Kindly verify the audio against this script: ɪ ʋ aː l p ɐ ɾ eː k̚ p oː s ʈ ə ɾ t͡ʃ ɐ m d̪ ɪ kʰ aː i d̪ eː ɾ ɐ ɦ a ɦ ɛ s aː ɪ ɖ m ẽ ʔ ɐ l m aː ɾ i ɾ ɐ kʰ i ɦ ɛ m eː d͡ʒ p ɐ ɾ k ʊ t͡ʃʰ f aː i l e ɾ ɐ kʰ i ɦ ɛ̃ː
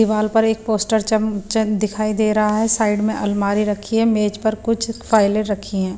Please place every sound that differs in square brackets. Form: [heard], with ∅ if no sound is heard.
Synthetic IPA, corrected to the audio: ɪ ʋ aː l p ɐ ɾ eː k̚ p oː s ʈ ə ɾ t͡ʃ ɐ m d̪ ɪ kʰ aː i d̪ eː ɾ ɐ ɦ a ɦ ɛ s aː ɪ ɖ m ẽ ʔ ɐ l m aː ɾ i ɾ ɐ kʰ i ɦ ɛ m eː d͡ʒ p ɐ ɾ k ʊ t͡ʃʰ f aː [ɪ] l e ɾ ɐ kʰ i ɦ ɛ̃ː